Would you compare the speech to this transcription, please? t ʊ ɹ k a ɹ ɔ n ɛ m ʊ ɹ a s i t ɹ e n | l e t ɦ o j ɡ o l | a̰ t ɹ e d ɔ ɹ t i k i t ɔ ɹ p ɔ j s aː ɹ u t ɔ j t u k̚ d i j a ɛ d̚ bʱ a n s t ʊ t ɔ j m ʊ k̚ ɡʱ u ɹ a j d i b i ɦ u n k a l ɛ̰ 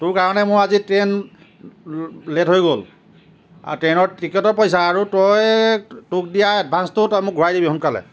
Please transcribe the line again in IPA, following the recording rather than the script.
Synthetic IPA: t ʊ ɹ k a ɹ ɔ n ɛ m ʊ ɹ a z i t ɹ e n | l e t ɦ o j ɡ o l | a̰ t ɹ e n ɔ ɹ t i k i t ɔ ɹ p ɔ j s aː ɹ u t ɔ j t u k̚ d i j a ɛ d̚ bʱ a n s t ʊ t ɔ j m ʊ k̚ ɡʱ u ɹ a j d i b i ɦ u n k a l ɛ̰